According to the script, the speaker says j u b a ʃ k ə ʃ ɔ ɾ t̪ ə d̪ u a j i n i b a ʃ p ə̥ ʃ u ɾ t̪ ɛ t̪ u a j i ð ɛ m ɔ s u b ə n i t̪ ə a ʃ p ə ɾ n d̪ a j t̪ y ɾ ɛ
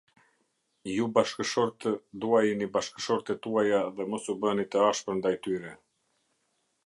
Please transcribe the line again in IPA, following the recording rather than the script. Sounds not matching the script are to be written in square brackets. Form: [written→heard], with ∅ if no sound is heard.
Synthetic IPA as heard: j u b a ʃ k ə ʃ ɔ ɾ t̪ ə d̪ u a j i n i b a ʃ [p→k] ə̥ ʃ [u→ɔ] ɾ t̪ ɛ t̪ u a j [i→a] ð ɛ m ɔ s u b ə n i t̪ ə a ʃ p ə ɾ n d̪ a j t̪ y ɾ ɛ